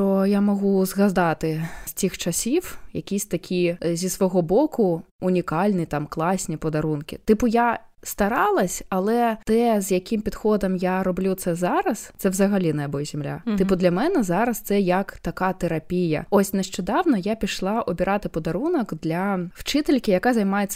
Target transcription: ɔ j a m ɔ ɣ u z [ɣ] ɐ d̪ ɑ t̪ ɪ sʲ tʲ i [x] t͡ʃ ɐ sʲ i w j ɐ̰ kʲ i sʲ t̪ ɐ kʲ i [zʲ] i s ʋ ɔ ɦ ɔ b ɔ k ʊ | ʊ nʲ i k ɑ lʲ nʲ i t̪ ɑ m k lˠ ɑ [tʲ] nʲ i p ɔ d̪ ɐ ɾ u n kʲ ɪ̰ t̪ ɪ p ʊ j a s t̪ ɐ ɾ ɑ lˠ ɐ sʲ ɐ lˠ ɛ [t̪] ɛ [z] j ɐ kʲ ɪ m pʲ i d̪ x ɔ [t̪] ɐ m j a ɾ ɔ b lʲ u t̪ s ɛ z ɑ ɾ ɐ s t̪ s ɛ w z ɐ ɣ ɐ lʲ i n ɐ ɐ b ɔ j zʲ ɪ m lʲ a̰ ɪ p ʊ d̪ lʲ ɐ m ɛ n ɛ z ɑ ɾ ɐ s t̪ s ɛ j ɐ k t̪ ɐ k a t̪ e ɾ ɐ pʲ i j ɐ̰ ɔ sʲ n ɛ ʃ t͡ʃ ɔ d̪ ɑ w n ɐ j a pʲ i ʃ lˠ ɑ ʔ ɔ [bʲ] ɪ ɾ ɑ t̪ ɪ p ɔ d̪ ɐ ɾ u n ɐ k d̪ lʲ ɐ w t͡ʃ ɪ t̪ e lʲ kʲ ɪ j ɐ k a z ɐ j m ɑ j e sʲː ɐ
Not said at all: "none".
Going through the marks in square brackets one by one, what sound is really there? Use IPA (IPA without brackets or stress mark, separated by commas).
ɣ, x, zʲ, sʲ, t̪, z, d̪, bʲ